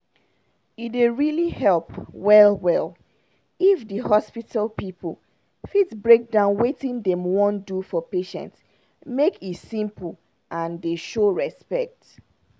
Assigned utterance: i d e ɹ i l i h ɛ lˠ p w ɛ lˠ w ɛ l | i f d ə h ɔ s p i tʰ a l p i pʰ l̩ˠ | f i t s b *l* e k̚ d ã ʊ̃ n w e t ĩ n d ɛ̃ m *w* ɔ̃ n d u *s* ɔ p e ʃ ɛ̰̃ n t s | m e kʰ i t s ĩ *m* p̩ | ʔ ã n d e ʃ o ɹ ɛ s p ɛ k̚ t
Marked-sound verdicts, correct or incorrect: incorrect, correct, incorrect, correct

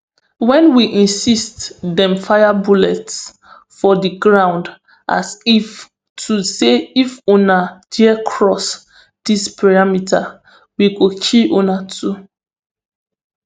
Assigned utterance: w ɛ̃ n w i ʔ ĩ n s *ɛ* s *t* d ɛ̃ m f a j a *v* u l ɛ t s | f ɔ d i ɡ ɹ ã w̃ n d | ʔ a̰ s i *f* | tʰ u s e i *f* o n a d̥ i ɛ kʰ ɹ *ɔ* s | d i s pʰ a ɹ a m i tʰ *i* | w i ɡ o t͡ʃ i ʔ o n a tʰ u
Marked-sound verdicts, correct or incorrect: incorrect, correct, incorrect, correct, correct, correct, incorrect

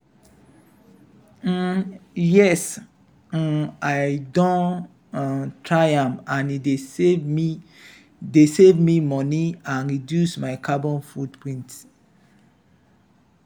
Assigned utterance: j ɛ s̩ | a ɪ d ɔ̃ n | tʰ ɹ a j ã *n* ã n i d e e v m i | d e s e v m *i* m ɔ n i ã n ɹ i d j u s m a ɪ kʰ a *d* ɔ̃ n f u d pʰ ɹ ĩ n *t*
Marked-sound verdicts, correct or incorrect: incorrect, correct, incorrect, correct

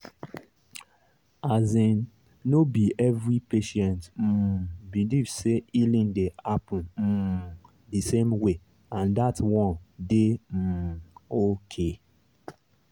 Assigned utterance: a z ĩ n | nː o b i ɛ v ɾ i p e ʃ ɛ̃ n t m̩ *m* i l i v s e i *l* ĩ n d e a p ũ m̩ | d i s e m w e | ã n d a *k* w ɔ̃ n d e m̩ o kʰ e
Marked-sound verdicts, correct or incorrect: incorrect, correct, incorrect

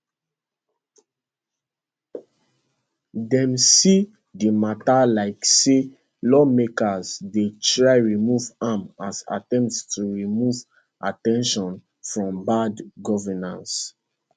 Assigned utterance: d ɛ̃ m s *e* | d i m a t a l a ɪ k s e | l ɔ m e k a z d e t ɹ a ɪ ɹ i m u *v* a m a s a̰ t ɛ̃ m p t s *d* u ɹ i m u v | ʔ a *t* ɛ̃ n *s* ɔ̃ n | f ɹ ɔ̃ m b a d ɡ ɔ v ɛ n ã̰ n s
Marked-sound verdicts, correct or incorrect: incorrect, correct, incorrect, correct, incorrect

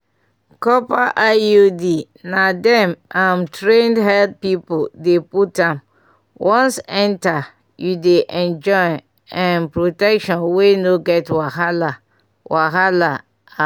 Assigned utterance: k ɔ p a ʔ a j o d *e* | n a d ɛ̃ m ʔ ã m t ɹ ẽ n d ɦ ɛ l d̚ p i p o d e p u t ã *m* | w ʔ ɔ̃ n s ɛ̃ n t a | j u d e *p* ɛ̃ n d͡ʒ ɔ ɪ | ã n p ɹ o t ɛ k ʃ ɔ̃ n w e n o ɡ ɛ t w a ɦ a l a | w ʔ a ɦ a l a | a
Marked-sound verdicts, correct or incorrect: incorrect, correct, incorrect

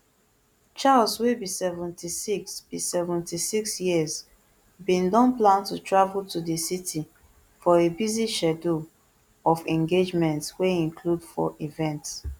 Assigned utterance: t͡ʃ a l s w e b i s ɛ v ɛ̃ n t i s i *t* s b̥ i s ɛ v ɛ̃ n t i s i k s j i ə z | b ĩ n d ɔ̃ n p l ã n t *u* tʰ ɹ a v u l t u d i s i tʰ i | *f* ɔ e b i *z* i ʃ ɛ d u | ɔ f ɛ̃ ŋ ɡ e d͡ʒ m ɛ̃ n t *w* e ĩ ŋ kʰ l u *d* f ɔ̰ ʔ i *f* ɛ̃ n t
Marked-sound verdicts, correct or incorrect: incorrect, correct, correct, correct, correct, correct, incorrect

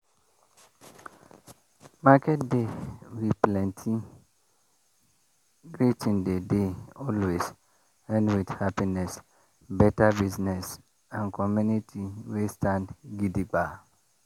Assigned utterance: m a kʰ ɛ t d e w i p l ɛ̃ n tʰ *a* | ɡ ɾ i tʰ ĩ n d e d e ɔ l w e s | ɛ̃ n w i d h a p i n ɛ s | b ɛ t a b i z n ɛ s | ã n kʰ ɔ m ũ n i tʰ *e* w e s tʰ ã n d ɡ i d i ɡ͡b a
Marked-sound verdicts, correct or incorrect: incorrect, incorrect

